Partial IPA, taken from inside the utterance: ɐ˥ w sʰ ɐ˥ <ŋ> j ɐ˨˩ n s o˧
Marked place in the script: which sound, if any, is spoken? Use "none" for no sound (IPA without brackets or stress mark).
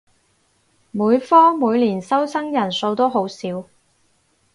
ŋ